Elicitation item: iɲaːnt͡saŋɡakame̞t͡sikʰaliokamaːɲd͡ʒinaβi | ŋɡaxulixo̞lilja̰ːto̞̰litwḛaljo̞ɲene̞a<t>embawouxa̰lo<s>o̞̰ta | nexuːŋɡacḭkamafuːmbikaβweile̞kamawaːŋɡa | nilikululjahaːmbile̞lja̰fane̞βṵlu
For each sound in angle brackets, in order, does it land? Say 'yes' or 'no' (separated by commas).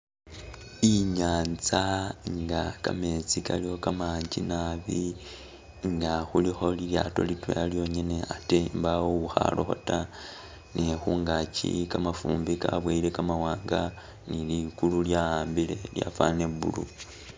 yes, no